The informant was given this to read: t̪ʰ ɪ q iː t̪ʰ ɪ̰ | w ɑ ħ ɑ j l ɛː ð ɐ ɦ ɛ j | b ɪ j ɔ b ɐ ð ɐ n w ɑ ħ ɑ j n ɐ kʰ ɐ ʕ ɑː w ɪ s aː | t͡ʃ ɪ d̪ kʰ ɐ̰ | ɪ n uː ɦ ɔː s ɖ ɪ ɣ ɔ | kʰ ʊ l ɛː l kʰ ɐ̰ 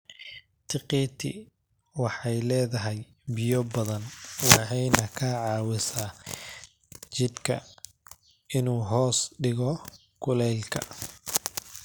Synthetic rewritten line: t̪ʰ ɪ q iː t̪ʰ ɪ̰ | w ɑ ħ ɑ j l ɛː ð ɐ ɦ ɛ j | b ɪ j ɔ b ɐ ð ɐ n w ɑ ħ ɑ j n ɐ kʰ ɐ ʕ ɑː w ɪ s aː | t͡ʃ ɪ d̪ kʰ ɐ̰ | ɪ n uː ɦ ɔː s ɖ ɪ ɣ ɔ | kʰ ʊ l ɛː l kʰ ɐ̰